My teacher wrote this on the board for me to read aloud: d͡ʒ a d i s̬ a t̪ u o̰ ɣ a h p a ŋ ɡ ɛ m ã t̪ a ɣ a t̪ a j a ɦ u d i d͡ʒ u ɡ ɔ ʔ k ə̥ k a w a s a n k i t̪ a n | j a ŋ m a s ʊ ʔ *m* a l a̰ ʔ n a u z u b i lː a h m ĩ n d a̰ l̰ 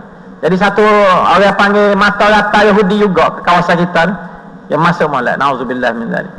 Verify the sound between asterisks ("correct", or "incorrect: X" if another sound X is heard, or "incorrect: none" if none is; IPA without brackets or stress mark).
correct